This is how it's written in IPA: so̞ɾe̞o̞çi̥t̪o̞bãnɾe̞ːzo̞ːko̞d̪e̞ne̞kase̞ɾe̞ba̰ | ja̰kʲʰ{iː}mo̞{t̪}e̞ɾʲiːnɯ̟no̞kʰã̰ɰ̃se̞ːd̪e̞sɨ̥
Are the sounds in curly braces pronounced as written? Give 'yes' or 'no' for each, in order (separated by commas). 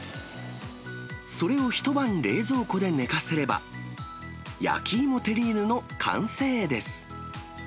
yes, yes